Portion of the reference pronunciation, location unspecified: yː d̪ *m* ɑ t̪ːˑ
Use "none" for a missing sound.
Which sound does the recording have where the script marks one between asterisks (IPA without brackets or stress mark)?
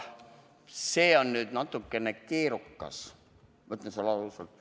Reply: n